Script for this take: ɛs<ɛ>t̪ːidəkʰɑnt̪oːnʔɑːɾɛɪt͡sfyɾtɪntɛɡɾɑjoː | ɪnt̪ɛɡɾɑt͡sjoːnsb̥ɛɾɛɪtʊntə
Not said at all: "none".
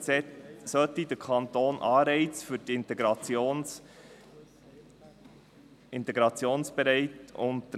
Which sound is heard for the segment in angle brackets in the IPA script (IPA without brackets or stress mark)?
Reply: œ